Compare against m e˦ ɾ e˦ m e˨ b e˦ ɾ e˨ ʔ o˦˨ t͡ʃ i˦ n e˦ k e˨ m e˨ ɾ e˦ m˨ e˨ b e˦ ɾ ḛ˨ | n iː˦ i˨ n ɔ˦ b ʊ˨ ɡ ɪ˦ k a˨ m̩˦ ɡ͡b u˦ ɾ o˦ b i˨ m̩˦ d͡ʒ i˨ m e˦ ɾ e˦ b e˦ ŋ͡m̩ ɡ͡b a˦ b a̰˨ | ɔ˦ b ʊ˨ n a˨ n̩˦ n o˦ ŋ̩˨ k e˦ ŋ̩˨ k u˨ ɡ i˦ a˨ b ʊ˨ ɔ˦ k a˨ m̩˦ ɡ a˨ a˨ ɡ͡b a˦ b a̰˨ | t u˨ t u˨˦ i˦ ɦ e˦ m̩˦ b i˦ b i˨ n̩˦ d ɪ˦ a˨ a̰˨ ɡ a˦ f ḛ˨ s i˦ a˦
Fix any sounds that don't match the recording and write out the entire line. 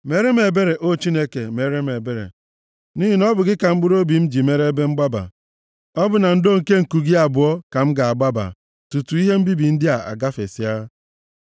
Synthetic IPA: m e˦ ɾ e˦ m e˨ b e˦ ɾ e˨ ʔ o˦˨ t͡ʃ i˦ n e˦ k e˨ m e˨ ɾ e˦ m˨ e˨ b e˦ ɾ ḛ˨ | n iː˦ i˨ n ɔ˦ b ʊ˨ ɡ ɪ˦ k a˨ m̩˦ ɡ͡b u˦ ɾ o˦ b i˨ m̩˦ d͡ʒ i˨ m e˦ ɾ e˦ b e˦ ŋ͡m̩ ɡ͡b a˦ b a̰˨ | ɔ˦ b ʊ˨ n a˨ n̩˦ d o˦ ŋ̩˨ k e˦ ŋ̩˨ k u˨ ɡ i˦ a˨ b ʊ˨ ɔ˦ k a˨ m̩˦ ɡ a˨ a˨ ɡ͡b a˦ b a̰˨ | t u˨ t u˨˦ i˦ ɦ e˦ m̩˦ b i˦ b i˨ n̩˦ d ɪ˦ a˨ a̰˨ ɡ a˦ f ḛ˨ s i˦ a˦